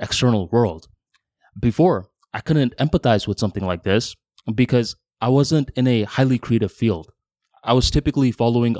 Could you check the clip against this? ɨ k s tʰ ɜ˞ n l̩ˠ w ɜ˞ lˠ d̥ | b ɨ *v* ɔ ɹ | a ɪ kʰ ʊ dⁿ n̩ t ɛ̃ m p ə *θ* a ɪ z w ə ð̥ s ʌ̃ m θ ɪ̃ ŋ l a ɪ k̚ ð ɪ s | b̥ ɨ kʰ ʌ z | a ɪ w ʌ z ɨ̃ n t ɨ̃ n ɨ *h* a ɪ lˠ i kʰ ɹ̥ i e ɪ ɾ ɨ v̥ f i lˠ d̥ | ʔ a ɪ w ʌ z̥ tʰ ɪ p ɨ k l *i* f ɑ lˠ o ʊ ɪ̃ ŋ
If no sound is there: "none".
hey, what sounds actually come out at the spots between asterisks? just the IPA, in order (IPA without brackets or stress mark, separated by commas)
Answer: f, θ, h, i